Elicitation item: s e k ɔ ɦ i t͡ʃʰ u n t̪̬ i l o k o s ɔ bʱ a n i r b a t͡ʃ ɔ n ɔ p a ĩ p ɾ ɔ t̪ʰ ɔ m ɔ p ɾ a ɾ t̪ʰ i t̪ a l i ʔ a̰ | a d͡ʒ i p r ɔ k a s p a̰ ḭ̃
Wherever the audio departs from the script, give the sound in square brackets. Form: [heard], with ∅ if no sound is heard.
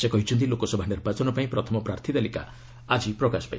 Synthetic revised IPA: s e k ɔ ɦ i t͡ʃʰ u n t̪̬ i l o k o s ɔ bʱ a n i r b a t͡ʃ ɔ n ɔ p a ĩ p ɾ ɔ t̪ʰ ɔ m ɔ p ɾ a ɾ t̪ʰ i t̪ a l i [k] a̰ | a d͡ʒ i p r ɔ k a s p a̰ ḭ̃